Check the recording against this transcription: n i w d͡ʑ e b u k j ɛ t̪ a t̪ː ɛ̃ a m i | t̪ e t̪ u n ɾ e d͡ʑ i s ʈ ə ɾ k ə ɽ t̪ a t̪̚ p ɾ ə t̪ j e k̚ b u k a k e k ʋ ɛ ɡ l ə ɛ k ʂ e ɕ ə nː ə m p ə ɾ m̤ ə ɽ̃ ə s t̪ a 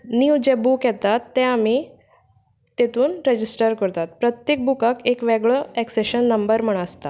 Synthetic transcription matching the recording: n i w d͡ʑ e b u k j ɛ t̪ a t̪ː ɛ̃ a m i | t̪ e t̪ uː n ɾ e d͡ʑ i s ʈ ə ɾ k ə ɾ t̪ a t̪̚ p ɾ ə t̪ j e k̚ b u k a k e k ʋ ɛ ɡ ɭ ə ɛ k s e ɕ ə nː ə m b ə ɾ m̤ ə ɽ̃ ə s t̪ a